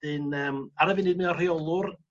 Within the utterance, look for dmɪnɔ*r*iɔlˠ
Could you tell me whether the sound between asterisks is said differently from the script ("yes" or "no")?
no